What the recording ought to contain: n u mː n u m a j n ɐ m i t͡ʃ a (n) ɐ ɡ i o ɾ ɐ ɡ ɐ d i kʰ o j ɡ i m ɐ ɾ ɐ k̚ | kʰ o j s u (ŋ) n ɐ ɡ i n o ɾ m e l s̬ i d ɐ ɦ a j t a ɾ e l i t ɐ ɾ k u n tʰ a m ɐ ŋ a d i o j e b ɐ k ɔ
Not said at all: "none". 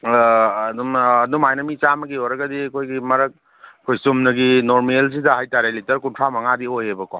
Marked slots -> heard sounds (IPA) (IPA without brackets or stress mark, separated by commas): m, m